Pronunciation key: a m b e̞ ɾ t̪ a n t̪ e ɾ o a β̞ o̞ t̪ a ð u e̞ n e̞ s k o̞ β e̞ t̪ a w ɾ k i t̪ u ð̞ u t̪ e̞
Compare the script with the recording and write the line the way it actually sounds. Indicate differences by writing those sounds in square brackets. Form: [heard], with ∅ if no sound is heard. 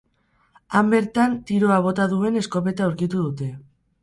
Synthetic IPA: a m b e̞ ɾ t̪ a n t̪ [i] ɾ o a β̞ o̞ t̪ a ð u e̞ n e̞ s k o̞ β e̞ t̪ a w ɾ k i t̪ u ð̞ u t̪ e̞

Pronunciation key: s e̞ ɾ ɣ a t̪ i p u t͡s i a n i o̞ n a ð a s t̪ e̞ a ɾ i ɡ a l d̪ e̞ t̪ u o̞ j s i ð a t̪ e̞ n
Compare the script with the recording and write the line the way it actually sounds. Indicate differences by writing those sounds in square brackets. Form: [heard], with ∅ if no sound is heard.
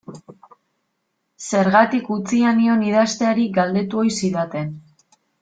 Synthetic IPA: s e̞ ɾ ɣ a t̪ i [k] u t͡s i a n i o̞ n [i] ð a s t̪ e̞ a ɾ i ɡ a l d̪ e̞ t̪ u o̞ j s i ð a t̪ e̞ n

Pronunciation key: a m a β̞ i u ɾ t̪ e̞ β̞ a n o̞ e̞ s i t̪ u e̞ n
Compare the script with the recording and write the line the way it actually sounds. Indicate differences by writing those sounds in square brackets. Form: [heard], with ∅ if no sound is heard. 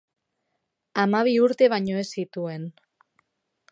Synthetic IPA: a m a β̞ i u ɾ t̪ e̞ β̞ a [ɲ] o̞ e̞ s i t̪ u e̞ n

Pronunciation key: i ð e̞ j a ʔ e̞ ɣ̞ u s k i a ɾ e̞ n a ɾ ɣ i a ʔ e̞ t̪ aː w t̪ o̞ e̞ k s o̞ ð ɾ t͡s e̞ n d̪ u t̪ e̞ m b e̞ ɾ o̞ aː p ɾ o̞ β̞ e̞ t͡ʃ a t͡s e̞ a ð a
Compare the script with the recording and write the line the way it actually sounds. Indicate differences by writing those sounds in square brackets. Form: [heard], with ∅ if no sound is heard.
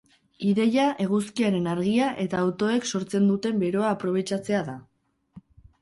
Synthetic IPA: i ð e̞ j a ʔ e̞ ɣ̞ u s k i a ɾ e̞ n a ɾ ɣ i a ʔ e̞ t̪ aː w t̪ o̞ e̞ k s o̞ [∅] ɾ t͡s e̞ n d̪ u t̪ e̞ m b e̞ ɾ o̞ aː p ɾ o̞ β̞ e̞ t͡ʃ a t͡s e̞ a ð a

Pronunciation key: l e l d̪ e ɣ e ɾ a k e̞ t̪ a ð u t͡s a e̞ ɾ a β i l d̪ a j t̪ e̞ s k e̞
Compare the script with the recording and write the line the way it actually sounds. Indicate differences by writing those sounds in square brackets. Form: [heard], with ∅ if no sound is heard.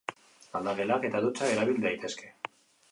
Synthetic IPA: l [a] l d̪ [a] ɣ e [l] a k e̞ t̪ a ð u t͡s a e̞ ɾ a β i l d̪ a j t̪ e̞ s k e̞

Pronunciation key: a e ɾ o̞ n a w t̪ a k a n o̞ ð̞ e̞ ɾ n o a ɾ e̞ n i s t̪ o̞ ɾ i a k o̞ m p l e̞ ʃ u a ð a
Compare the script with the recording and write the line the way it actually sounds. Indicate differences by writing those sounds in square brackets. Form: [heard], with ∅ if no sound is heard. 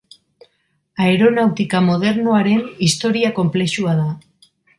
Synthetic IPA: a e ɾ o̞ n a w t̪ [i] k a [m] o̞ ð̞ e̞ ɾ n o a ɾ e̞ n i s t̪ o̞ ɾ i a k o̞ m p l e̞ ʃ u a ð a

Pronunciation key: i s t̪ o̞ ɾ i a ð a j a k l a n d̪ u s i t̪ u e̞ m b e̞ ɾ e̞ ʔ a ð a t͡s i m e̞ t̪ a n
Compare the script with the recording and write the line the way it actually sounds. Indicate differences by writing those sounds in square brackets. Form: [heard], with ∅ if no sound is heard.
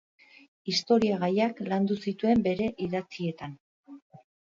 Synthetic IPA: i s t̪ o̞ ɾ i a [ɣ] a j a k l a n d̪ u s i t̪ u e̞ m b e̞ ɾ e̞ ʔ [i] ð a t͡s i [∅] e̞ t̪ a n

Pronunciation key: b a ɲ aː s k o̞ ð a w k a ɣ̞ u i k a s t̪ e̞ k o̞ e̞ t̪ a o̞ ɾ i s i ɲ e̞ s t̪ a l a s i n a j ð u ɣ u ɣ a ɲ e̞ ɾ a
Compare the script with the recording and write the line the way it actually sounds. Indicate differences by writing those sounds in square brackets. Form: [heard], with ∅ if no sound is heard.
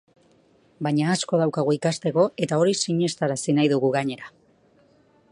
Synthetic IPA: b a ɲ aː s k o̞ ð a w k a ɣ̞ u i k a s t̪ e̞ k o̞ e̞ t̪ a o̞ ɾ i s i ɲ e̞ s t̪ a [ɾ] a s i n a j ð u ɣ u ɣ a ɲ e̞ ɾ a

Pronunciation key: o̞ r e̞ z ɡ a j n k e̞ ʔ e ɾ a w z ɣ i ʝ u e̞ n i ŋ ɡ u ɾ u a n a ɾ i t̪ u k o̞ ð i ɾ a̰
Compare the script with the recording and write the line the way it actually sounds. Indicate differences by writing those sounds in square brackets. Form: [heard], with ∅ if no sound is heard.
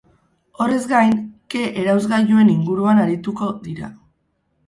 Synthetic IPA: o̞ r e̞ z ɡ a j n k e̞ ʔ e ɾ a w z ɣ [a] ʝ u e̞ n i ŋ ɡ u ɾ u a n a ɾ i t̪ u k o̞ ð i ɾ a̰

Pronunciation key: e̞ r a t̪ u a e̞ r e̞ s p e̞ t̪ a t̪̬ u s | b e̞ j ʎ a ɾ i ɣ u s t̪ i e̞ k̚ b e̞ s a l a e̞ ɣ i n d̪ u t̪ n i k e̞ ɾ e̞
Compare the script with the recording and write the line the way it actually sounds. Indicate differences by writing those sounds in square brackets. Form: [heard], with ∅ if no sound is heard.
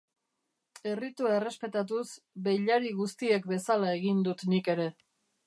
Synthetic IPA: e̞ r [i] t̪ u a e̞ r e̞ s p e̞ t̪ a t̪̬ u s | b e̞ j ʎ a ɾ i ɣ u s t̪ i e̞ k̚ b e̞ s a l a e̞ ɣ i n d̪ u t̪ n i k e̞ ɾ e̞

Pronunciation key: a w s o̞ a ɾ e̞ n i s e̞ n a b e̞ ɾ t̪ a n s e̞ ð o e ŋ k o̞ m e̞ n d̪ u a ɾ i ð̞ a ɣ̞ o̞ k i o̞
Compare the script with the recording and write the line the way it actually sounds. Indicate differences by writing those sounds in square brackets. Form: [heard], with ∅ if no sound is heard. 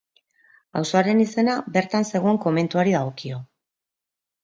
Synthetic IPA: a w s o̞ a ɾ e̞ n i s e̞ n a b e̞ ɾ t̪ a n s e̞ [ɣ] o e ŋ k o̞ m e̞ n [t̪] u a ɾ i ð̞ a ɣ̞ o̞ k i o̞

